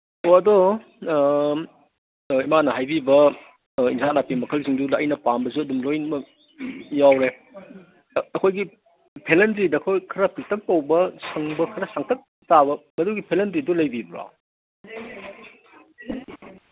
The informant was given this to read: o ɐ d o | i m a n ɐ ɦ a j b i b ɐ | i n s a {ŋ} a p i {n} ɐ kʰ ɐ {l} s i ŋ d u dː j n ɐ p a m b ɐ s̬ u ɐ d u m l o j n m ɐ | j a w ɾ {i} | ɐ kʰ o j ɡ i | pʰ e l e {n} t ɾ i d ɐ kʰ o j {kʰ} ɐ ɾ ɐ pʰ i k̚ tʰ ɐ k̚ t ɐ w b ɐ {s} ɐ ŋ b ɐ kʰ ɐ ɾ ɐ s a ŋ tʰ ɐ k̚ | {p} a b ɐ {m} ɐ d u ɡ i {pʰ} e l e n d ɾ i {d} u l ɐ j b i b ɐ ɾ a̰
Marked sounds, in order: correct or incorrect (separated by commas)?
incorrect, incorrect, correct, incorrect, correct, correct, correct, incorrect, correct, correct, correct